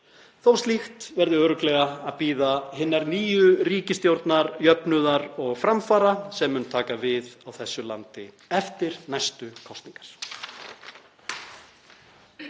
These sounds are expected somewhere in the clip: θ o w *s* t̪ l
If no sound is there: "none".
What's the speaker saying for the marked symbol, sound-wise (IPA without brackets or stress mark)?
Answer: s